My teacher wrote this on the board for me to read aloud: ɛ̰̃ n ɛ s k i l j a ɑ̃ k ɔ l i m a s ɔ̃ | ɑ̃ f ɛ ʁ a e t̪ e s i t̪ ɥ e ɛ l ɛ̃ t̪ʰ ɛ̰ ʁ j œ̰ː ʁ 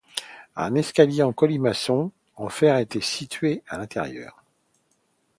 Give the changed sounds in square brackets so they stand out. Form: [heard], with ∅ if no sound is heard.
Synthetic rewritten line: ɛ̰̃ n ɛ s k [a] l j [e] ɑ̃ k ɔ l i m a s ɔ̃ | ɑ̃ f ɛ ʁ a e t̪ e s i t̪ ɥ e [a] l ɛ̃ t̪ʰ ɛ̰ ʁ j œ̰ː ʁ